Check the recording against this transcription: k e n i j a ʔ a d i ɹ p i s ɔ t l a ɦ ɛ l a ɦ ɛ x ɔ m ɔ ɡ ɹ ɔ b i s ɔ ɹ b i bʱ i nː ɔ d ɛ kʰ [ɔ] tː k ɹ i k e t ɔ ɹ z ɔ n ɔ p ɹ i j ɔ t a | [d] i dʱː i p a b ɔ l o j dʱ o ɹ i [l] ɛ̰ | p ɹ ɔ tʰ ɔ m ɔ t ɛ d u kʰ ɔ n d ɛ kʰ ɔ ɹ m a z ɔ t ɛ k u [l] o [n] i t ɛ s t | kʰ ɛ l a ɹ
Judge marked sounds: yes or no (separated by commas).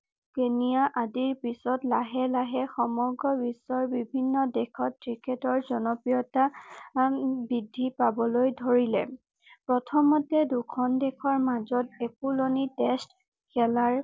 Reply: yes, no, yes, yes, yes